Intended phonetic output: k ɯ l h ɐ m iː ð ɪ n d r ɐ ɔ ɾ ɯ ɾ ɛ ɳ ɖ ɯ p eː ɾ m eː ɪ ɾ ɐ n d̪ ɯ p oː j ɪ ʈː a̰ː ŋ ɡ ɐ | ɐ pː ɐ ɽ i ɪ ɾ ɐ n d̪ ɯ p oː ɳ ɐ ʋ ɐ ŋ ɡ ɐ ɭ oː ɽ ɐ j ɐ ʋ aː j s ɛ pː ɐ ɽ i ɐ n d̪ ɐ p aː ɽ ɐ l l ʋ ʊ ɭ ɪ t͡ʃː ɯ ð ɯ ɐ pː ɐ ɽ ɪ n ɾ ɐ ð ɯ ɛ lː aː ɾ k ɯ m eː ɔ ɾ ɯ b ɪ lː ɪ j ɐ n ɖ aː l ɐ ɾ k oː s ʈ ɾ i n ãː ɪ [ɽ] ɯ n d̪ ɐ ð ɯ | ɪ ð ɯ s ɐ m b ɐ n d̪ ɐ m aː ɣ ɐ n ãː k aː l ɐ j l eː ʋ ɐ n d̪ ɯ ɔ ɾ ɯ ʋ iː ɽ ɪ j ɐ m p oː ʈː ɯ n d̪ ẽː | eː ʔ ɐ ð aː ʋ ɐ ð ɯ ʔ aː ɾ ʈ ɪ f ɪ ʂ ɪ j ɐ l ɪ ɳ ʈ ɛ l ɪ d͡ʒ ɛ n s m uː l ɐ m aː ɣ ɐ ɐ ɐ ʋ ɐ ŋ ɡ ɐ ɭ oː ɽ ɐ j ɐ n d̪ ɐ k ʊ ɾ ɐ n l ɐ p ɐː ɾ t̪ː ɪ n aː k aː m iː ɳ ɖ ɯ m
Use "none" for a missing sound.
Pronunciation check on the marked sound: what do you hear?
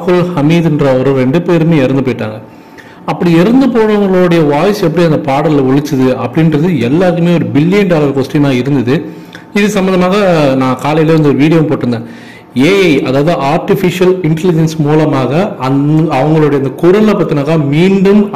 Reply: ɾ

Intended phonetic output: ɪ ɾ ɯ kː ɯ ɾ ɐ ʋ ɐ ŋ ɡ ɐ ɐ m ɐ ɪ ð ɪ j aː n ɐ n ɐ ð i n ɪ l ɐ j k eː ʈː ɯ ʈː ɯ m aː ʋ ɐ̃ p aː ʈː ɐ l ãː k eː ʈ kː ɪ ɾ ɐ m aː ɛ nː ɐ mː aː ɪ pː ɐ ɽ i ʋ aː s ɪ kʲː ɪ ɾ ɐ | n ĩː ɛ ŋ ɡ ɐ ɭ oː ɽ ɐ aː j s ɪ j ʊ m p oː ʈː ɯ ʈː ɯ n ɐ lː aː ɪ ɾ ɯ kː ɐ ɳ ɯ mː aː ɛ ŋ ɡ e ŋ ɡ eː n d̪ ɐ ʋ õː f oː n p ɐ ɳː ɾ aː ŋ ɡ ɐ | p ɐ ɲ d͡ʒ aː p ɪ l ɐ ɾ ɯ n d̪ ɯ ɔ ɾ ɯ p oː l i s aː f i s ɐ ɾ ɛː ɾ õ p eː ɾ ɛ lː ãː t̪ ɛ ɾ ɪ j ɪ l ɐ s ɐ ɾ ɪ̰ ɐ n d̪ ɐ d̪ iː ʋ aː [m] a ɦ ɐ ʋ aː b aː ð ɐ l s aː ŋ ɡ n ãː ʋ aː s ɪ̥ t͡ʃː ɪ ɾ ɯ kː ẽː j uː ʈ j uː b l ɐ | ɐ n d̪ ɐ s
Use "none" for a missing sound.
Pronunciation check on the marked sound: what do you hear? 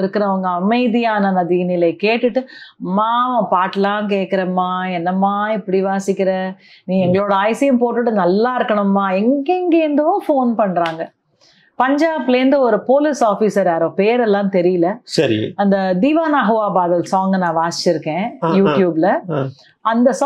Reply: n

